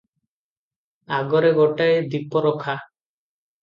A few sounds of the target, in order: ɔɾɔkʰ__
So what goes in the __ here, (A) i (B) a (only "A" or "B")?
B